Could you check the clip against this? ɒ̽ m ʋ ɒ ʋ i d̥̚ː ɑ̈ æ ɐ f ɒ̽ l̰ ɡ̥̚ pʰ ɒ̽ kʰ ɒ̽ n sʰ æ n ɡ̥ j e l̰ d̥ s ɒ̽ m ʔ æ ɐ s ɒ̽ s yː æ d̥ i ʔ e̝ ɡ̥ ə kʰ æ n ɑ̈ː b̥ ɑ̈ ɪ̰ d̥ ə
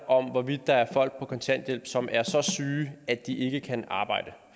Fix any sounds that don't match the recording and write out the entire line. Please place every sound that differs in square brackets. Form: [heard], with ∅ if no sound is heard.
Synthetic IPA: ɒ̽ m ʋ ɒ ʋ i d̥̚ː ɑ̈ æ ɐ f ɒ̽ l̰ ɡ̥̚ pʰ ɒ̽ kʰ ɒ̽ n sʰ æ n [d̥] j e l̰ [b̥] s ɒ̽ m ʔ æ ɐ s ɒ̽ s yː æ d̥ i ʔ e̝ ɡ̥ ə kʰ æ n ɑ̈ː b̥ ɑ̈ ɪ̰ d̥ ə

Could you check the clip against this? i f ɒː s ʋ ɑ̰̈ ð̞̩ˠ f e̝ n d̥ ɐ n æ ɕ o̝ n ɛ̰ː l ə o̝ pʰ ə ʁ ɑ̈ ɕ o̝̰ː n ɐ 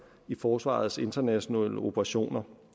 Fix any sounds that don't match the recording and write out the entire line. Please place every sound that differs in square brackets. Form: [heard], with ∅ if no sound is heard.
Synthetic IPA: i f ɒː s ʋ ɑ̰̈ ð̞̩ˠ [s] e̝ n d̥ ɐ n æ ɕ o̝ n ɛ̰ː l ə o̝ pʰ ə ʁ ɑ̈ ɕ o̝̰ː n ɐ

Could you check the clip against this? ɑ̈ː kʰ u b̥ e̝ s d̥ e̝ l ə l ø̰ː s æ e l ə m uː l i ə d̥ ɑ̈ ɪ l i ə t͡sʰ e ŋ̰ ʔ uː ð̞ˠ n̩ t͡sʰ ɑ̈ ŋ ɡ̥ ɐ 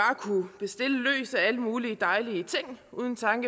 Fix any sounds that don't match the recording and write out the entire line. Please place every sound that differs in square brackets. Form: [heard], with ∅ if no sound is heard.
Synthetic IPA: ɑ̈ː kʰ u b̥ e̝ s d̥ e̝ l ə l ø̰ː s æ [æ] l ə m uː l i ə d̥ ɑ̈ ɪ l i ə t͡sʰ e ŋ̰ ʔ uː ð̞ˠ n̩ t͡sʰ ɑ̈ ŋ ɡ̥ [ə]

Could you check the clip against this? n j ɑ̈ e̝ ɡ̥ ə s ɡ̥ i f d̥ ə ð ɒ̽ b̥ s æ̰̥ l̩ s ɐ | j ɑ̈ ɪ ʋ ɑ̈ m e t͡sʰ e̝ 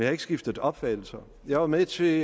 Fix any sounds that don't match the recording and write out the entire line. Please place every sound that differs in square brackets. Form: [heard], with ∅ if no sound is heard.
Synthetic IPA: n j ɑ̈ e̝ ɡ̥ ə s ɡ̥ i f d̥ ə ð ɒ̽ b̥ [f] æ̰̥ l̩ s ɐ | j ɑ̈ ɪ ʋ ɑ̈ m e t͡sʰ e̝

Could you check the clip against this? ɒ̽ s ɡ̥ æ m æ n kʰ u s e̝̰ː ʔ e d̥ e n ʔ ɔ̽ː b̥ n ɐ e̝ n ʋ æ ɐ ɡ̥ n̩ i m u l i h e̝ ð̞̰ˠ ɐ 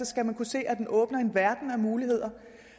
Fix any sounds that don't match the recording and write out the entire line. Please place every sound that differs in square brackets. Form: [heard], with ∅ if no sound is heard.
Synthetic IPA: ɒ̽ s ɡ̥ æ m æ n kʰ u s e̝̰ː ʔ [æ] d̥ e n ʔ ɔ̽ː b̥ n ɐ e̝ n ʋ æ ɐ [d̥] n̩ [æ] m [uː] l i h e̝ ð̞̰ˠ ɐ

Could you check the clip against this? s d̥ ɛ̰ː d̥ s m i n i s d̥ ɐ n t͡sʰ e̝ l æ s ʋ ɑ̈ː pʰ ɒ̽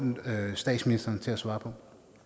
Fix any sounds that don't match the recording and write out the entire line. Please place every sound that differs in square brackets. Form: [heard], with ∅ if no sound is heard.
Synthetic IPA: s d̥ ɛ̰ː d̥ s m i n i s d̥ ɐ n t͡sʰ e̝ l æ s ʋ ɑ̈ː pʰ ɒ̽

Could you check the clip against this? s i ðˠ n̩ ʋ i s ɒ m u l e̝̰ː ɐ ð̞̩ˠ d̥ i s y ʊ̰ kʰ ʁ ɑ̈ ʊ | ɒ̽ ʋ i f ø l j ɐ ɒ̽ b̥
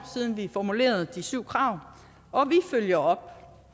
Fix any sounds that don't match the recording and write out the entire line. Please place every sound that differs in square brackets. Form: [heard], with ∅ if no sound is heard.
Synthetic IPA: s i ðˠ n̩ ʋ i [f] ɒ m u l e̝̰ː ɐ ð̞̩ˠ d̥ i s y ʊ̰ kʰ ʁ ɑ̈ ʊ | ɒ̽ ʋ i f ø l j ɐ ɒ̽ b̥

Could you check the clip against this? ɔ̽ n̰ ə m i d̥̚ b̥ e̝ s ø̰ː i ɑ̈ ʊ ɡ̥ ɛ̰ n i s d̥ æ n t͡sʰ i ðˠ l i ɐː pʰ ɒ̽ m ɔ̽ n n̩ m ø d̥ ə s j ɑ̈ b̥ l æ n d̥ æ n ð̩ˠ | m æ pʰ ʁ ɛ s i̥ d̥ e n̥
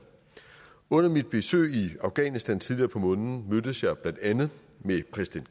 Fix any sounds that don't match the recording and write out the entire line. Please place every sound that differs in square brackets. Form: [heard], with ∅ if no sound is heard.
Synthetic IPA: ɔ̽ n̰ [ɐ] m i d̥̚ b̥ e̝ s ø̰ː i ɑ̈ ʊ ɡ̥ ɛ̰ n i s d̥ æ n t͡sʰ i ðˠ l i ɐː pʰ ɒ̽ m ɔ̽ n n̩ m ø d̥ ə s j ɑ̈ b̥ l æ n d̥ æ n ð̩ˠ | m [e] pʰ ʁ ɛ s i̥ d̥ e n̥

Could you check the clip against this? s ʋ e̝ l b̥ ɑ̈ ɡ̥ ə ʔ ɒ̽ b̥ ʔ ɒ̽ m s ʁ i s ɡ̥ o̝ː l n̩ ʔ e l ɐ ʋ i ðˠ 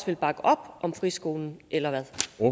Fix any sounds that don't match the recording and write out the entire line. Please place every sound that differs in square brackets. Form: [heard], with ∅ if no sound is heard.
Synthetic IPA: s ʋ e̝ l b̥ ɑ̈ ɡ̥ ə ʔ ɒ̽ b̥ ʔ ɒ̽ m [f] ʁ i s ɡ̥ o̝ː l n̩ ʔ e l ɐ ʋ [æ] ðˠ

